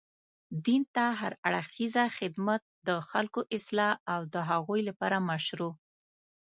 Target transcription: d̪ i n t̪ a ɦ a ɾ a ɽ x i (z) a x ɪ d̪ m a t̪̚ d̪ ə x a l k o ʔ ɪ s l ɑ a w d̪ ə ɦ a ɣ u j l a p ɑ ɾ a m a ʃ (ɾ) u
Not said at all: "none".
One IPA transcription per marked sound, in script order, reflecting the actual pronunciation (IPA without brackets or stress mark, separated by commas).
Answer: z, ɾ